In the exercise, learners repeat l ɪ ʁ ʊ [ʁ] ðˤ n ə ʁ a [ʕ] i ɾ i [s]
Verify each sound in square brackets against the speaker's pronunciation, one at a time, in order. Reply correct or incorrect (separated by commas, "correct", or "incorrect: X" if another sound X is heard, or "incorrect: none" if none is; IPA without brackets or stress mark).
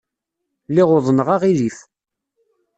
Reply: incorrect: none, incorrect: ʁ, incorrect: f